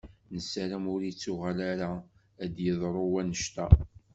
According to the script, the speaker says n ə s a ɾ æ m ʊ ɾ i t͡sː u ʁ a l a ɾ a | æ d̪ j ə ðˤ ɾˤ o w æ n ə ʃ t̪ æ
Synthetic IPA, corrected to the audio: n ə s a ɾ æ m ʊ ɾ i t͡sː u ʁ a l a ɾ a | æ d̪ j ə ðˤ ɾˤ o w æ n ə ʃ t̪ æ